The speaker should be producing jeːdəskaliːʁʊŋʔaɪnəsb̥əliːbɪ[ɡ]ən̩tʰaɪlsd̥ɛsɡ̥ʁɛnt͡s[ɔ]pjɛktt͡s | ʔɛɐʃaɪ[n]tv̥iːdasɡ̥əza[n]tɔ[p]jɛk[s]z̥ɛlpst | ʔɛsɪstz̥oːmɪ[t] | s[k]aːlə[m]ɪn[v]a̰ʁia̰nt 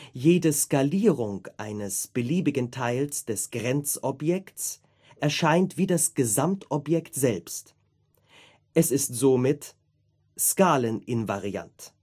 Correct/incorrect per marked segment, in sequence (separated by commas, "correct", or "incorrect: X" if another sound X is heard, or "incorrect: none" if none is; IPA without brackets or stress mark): correct, correct, correct, incorrect: m, correct, incorrect: t, correct, correct, incorrect: n, correct